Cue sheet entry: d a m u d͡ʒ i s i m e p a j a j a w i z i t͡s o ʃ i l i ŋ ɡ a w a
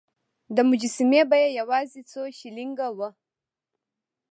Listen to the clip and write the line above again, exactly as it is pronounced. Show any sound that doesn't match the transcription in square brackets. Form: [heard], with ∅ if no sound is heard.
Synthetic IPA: d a m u d͡ʒ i s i m e [b] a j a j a w [a] z i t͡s o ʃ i l i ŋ ɡ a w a